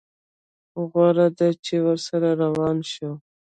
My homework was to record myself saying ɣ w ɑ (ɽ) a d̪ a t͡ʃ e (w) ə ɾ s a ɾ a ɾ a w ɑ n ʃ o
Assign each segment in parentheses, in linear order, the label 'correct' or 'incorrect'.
incorrect: ɾ, correct

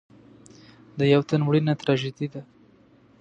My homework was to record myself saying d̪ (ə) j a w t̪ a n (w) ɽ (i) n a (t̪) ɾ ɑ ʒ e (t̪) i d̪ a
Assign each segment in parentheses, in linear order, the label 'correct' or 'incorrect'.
correct, correct, correct, correct, incorrect: d̪

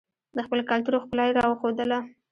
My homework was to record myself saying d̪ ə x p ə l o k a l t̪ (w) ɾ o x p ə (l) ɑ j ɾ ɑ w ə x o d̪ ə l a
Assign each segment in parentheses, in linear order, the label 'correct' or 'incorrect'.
incorrect: u, correct

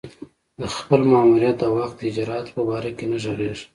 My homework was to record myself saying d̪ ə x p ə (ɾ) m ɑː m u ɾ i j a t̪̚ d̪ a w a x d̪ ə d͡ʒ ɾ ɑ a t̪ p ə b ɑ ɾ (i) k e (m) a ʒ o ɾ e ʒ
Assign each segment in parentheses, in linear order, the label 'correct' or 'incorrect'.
incorrect: l, incorrect: a, incorrect: n

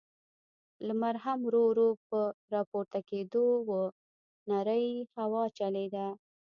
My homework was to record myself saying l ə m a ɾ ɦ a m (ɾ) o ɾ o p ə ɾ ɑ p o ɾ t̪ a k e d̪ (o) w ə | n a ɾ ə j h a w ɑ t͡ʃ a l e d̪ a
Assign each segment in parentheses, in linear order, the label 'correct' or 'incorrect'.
correct, correct

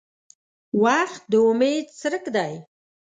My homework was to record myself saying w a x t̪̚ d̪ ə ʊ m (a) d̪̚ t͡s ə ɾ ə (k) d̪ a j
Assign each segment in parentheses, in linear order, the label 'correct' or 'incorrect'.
incorrect: e, correct

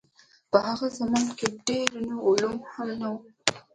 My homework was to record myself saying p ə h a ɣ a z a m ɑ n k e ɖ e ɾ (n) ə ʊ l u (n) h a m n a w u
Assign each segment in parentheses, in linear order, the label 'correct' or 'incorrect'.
correct, incorrect: m

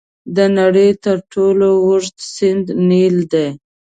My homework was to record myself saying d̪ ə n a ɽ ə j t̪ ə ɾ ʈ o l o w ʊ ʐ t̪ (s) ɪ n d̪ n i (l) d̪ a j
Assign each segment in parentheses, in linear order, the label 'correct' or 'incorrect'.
correct, correct

